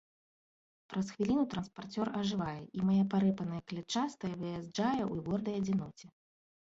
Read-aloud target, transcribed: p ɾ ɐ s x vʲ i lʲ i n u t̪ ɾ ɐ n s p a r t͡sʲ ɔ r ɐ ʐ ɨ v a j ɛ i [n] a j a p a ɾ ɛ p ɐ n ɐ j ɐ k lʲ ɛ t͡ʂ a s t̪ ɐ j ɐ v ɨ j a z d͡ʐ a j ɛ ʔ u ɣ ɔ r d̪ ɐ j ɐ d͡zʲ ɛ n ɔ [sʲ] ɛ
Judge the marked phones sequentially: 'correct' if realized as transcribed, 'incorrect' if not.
incorrect: m, incorrect: t͡sʲ

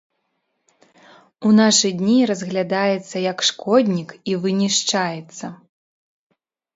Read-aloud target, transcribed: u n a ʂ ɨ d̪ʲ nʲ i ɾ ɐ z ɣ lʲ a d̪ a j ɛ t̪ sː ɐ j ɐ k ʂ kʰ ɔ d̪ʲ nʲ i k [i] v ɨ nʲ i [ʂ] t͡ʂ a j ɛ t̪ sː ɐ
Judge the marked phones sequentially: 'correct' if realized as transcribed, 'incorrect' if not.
correct, correct

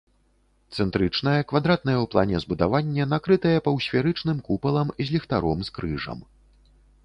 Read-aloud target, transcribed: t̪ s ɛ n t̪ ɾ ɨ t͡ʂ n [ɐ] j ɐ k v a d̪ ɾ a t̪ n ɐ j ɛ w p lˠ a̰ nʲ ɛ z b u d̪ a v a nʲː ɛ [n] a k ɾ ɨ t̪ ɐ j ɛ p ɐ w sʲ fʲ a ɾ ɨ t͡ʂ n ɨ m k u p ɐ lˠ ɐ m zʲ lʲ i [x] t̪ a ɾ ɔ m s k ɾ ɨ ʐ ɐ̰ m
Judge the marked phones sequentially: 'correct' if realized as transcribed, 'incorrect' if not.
correct, correct, correct

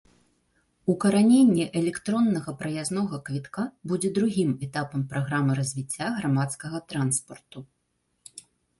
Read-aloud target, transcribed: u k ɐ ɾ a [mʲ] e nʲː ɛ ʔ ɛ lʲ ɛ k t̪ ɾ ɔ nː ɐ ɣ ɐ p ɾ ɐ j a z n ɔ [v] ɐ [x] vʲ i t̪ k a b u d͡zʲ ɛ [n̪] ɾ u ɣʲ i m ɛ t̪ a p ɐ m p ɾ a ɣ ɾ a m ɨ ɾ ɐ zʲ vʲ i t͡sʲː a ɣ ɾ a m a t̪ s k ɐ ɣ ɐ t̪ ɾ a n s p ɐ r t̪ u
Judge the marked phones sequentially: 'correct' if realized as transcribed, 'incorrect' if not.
incorrect: nʲ, incorrect: ɣ, incorrect: k, incorrect: d̪

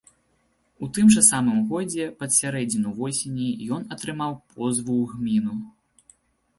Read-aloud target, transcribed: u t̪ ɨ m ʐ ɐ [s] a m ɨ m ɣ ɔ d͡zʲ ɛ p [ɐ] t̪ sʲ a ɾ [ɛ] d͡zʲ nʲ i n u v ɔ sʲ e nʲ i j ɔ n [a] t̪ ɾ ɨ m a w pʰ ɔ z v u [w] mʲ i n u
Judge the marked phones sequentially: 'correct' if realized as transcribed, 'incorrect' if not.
correct, correct, correct, incorrect: ɐ, incorrect: ɣ

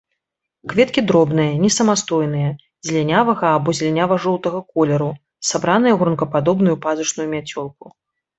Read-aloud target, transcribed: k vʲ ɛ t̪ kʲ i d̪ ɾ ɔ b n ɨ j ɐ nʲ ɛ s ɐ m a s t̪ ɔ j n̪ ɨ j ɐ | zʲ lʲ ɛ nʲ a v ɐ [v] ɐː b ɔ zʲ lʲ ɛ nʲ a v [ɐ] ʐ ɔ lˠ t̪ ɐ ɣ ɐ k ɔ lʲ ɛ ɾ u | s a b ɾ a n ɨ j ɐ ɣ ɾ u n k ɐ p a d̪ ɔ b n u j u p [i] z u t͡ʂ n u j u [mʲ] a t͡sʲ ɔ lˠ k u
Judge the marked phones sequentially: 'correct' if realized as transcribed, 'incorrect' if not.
incorrect: ɣ, correct, incorrect: a, correct

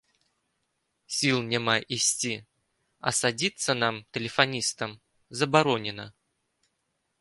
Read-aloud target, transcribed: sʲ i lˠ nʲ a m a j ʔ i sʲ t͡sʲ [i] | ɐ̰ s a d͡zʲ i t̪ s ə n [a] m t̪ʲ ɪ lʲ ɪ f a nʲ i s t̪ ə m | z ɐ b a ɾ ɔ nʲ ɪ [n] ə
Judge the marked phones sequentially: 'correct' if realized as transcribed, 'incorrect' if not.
correct, correct, correct

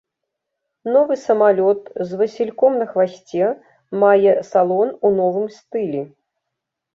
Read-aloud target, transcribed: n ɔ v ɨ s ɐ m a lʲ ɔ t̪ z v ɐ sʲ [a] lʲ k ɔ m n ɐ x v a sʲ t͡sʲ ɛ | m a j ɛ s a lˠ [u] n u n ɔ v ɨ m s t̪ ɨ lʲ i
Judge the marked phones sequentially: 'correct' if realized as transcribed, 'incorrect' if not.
incorrect: i, incorrect: ɔ

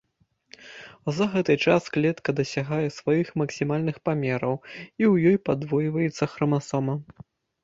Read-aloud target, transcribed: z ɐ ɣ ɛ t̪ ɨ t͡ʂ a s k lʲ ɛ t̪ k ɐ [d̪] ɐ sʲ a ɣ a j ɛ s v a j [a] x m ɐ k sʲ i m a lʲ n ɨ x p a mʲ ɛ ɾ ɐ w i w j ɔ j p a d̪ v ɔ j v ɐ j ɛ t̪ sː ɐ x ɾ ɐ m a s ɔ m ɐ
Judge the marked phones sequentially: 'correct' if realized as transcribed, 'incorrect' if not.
correct, incorrect: i

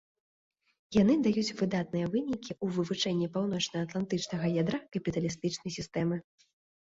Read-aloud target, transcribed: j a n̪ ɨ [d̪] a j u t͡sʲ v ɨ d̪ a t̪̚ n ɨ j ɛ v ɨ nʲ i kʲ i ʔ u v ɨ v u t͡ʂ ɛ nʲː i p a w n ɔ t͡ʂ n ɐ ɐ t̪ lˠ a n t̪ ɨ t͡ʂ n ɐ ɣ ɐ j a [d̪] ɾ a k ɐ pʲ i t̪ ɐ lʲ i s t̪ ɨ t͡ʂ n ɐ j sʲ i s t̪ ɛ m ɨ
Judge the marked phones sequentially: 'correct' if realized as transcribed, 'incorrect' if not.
correct, correct

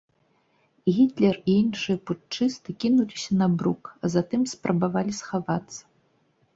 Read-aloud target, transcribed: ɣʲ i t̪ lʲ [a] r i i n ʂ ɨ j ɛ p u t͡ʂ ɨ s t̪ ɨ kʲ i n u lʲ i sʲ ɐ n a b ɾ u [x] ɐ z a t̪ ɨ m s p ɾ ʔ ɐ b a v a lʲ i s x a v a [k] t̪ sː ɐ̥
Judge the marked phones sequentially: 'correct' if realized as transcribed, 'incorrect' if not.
incorrect: ɛ, incorrect: k, incorrect: none

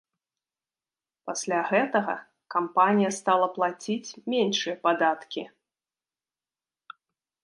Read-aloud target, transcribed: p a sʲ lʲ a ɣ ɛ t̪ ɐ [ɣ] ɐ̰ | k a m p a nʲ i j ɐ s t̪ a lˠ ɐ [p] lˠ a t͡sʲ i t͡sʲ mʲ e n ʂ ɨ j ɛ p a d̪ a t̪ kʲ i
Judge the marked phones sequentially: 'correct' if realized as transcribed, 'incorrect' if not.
correct, correct

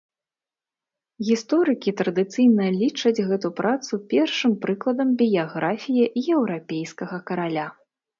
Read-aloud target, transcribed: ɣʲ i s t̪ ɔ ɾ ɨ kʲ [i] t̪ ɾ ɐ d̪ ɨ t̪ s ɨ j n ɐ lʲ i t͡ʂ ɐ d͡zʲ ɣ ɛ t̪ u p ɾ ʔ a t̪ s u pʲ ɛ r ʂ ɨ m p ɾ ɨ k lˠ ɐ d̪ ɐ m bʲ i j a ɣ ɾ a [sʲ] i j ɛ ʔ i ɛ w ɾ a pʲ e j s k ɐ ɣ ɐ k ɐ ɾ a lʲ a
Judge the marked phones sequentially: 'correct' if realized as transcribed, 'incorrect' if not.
correct, incorrect: fʲ

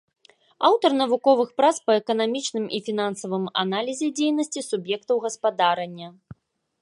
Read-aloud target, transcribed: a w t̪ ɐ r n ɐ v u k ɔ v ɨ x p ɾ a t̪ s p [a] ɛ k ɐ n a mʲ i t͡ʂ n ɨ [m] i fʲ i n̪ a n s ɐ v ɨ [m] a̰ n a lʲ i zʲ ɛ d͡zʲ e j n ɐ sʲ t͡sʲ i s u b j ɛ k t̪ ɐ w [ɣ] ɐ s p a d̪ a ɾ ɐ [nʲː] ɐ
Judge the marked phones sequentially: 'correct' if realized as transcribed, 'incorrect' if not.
incorrect: ɐ, correct, correct, correct, correct

